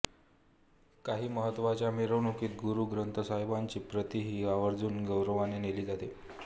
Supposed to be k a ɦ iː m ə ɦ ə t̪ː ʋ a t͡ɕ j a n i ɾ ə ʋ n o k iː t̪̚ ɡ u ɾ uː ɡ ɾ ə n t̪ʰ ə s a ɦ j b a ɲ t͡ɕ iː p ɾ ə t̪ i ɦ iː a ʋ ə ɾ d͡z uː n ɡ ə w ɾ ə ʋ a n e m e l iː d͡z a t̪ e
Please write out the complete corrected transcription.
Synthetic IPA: k a ɦ iː m ə ɦ ə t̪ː ʋ a t͡ɕ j a m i ɾ ə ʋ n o k iː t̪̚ ɡ u ɾ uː ɡ ɾ ə n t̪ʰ ə s a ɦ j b a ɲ t͡ɕ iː p ɾ ə t̪ i ɦ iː a ʋ ə ɾ d͡z uː n ɡ ə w ɾ ə ʋ a n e n e l iː d͡z a t̪ e

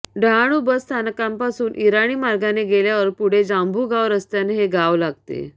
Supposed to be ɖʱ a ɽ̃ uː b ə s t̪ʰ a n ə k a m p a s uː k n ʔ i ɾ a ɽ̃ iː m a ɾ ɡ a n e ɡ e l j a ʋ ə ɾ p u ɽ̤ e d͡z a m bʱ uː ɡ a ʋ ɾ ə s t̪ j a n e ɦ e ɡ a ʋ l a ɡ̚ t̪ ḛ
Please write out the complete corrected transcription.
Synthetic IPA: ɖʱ a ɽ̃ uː b ə s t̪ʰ a n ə k a m p a s uː n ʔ i ɾ a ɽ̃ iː m a ɾ ɡ a n e ɡ e l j a ʋ ə ɾ p u ɽ̤ e d͡z a m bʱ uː ɡ a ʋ ɾ ə s t̪ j a n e ɦ e ɡ a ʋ l a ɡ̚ t̪ ḛ

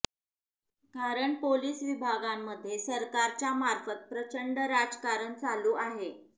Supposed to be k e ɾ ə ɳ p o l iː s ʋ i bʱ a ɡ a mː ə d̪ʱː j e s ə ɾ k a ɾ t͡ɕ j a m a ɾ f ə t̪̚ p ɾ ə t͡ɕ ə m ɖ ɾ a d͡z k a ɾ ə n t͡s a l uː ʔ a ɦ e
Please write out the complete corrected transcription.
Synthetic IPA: k a ɾ ə ɳ p o l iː s ʋ i bʱ a ɡ a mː ə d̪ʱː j e s ə ɾ k a ɾ t͡ɕ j a m a ɾ f ə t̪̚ p ɾ ə t͡ɕ ə ɳ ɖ ɾ a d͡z k a ɾ ə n t͡s a l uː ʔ a ɦ e

